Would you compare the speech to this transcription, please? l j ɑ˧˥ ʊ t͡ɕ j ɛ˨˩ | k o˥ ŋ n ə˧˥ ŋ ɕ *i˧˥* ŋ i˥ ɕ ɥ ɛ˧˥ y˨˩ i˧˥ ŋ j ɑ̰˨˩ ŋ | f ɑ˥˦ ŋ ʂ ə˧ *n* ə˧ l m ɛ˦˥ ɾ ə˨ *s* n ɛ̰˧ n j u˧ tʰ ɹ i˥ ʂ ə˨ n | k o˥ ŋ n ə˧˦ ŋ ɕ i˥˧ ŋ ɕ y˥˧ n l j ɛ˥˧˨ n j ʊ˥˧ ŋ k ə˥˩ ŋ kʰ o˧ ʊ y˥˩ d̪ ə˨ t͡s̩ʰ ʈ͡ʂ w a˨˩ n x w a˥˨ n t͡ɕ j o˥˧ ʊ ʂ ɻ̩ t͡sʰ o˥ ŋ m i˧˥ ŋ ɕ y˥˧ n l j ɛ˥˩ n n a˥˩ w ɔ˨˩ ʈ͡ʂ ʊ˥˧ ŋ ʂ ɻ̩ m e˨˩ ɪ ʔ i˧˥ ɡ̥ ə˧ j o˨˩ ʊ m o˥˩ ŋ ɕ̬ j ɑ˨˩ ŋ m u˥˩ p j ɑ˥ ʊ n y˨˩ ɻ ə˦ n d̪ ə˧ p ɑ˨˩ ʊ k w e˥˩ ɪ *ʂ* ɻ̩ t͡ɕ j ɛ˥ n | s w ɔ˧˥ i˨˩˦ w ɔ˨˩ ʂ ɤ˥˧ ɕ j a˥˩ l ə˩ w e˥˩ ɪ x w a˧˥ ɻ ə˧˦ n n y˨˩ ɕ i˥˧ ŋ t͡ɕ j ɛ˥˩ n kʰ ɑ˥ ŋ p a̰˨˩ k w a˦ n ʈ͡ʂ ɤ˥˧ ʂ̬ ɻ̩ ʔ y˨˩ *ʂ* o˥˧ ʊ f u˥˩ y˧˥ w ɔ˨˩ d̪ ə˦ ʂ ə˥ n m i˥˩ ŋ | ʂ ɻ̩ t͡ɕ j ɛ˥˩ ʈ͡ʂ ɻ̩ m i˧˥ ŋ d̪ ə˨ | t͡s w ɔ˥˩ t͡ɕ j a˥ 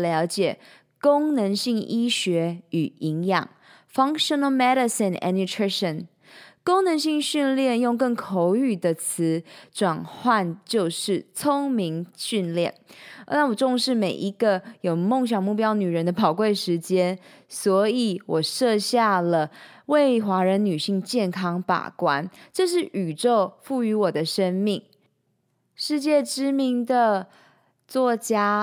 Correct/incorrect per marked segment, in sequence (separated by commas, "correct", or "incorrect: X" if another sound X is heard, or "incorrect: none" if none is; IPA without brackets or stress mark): incorrect: i˥˩, correct, correct, correct, incorrect: ʈ͡ʂ